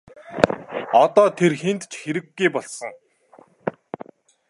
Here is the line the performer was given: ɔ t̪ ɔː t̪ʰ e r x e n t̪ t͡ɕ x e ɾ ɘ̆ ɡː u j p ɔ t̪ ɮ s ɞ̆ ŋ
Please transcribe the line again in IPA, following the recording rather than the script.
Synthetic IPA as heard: ɔ t̪ ɔː t̪ʰ e r x e n t̪ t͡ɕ x e ɾ ɘ̆ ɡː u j p ɔ ɮ s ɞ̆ ŋ